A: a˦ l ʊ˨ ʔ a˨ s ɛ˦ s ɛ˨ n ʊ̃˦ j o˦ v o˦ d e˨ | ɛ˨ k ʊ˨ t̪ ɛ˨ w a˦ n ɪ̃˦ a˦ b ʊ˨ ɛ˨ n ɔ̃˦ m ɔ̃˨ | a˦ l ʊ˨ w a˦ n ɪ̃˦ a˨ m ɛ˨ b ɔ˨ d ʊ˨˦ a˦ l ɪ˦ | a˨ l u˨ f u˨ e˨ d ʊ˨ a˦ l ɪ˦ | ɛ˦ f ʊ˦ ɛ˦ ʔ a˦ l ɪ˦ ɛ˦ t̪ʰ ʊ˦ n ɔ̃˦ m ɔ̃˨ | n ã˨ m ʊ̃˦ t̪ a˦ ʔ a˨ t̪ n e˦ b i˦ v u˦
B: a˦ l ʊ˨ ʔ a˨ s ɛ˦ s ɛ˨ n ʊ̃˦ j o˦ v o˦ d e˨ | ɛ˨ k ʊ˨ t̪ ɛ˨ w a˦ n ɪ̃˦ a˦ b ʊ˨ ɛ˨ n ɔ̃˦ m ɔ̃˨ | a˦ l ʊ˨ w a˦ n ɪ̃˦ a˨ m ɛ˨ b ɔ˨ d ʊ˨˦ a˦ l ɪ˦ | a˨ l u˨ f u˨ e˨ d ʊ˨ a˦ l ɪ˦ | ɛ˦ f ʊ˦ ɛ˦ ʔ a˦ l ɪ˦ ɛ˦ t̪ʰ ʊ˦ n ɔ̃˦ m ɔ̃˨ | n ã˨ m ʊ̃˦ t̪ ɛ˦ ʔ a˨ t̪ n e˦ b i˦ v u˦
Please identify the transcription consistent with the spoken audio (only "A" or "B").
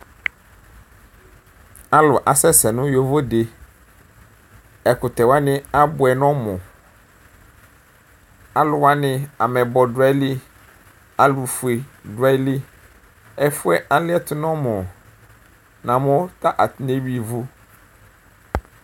A